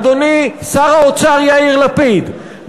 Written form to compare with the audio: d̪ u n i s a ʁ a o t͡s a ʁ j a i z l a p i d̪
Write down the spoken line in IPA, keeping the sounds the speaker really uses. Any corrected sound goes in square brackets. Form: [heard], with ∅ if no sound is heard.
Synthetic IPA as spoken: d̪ [o] n i s a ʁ a o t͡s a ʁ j a i [ʁ] l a p i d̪